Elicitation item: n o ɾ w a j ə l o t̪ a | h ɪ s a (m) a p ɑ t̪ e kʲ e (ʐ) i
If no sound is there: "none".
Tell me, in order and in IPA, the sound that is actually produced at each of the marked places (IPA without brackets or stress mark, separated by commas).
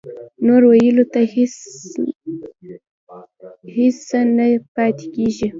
n, ʒ